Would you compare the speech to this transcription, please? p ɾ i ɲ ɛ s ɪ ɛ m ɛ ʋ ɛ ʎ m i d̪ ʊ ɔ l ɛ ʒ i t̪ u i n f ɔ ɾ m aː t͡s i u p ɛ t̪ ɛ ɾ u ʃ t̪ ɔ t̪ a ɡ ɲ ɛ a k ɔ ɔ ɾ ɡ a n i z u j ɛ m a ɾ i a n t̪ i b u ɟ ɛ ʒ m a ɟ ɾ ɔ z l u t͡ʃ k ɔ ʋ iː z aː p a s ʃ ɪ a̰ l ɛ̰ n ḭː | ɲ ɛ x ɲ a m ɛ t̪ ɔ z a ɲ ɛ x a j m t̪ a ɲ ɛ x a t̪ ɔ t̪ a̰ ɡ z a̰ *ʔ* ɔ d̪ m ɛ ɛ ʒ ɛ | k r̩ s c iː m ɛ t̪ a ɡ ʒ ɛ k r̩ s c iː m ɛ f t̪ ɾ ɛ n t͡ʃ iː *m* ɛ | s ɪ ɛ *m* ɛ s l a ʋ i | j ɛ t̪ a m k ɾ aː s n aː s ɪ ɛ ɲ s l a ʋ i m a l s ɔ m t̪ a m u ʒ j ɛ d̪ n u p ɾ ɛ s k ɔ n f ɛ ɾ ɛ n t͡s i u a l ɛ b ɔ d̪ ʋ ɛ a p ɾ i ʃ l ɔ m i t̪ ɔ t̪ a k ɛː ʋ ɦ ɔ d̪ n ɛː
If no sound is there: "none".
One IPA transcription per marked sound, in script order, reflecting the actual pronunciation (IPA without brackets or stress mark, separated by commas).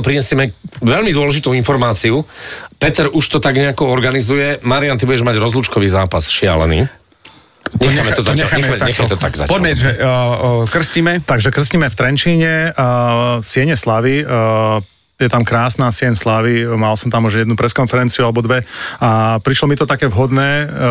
p, ɲ, ɲ